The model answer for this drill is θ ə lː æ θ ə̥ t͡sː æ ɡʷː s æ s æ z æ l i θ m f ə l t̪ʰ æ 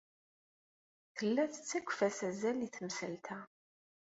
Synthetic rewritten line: θ ə lː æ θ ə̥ t͡sː æ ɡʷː f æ s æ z æ l i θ m s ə l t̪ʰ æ

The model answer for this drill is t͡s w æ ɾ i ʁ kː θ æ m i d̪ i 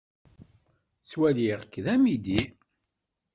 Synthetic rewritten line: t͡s w æ l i ʁ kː ð æ m i d̪ i

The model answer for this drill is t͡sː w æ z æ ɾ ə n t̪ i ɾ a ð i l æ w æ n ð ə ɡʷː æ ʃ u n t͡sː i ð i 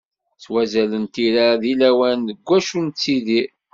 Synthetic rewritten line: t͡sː w æ z æ l ə n t̪ i ɾ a ð i l æ w æ n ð ə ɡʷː æ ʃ u n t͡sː i ð i

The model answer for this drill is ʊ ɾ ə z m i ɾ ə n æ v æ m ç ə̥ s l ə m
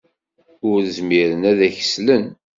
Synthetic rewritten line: ʊ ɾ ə z m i ɾ ə n æ ð æ ç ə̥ s l ə n

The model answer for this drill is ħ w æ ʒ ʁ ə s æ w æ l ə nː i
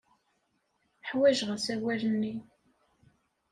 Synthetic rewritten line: ħ w æ ʒ ʁ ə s æ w æ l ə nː i

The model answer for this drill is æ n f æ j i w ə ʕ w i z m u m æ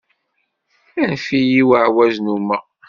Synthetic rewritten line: æ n f i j i w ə ʕ w æ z n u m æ

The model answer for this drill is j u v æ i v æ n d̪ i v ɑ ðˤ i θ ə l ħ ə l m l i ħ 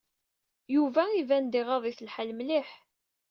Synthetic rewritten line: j u v æ i v æ n d̪ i ʁ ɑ ðˤ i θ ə l ħ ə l m l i ħ

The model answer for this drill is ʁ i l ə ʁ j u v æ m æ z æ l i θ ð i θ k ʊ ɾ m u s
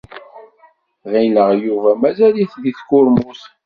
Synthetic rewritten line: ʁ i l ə ʁ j u v æ m æ z æ l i θ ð i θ k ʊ ɾ m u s

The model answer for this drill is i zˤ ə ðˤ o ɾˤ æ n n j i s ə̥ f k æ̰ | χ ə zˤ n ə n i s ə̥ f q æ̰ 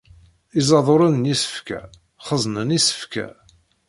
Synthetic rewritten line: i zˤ ɑ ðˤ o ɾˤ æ n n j i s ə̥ f k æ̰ | χ ə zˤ n ə n i s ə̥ f k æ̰

